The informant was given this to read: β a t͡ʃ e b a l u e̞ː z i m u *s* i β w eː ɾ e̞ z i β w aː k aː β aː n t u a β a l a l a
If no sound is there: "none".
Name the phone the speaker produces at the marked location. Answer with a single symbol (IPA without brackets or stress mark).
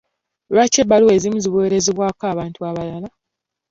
z